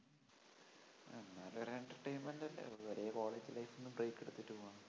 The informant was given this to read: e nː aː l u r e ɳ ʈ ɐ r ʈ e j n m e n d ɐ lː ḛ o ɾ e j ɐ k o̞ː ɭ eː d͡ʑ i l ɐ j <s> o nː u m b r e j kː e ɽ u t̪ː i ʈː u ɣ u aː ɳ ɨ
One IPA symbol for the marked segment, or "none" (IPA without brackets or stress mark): f